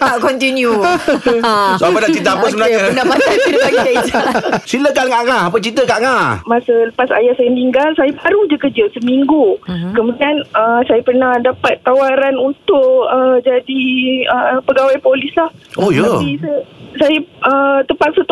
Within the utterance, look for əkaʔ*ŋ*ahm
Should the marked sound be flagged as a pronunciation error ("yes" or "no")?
no